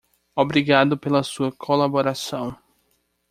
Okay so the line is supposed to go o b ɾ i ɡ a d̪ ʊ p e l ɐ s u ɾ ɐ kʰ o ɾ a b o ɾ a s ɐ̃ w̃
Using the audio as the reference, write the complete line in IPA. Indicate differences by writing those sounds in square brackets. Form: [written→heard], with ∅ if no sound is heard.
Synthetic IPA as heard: o b ɾ i ɡ a d̪ ʊ p e l ɐ s u [ɾ→∅] ɐ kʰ o [ɾ→l] a b o ɾ a s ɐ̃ w̃